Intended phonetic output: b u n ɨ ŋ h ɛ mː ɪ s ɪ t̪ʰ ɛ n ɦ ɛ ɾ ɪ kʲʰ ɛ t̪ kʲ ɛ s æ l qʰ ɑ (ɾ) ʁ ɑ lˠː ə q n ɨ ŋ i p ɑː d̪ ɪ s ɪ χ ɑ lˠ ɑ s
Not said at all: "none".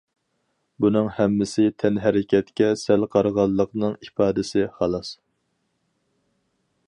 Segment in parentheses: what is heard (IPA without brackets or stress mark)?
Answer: ɾ